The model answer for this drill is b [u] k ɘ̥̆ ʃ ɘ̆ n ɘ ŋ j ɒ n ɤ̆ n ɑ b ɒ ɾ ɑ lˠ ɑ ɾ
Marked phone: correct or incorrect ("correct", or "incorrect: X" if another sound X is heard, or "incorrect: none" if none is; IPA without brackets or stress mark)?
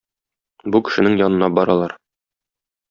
correct